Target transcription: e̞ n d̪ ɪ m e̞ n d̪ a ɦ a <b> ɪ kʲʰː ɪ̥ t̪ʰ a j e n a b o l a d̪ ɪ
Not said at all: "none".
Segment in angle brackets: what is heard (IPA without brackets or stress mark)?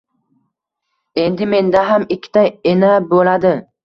m